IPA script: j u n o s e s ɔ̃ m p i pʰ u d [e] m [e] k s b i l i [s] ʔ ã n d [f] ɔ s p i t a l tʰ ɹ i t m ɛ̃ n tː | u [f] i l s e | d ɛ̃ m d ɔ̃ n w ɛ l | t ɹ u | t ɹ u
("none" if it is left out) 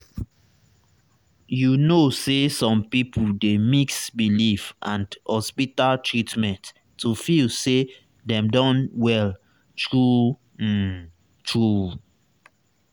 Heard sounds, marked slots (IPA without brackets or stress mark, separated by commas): e, i, f, h, f